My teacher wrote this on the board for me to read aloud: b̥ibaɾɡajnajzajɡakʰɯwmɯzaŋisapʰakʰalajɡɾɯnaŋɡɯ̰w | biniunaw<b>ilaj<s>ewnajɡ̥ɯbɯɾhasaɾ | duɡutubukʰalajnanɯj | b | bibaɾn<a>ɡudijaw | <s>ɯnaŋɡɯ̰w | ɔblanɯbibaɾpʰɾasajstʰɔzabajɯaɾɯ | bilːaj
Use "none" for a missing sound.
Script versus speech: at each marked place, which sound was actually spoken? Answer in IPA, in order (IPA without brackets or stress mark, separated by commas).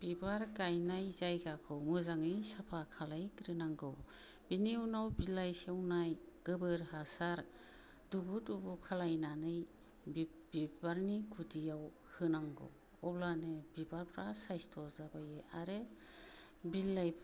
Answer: b, s, i, h